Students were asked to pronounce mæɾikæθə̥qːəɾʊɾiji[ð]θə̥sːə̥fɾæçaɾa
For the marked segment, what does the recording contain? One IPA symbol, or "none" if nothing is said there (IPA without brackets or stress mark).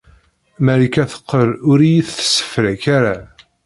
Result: θ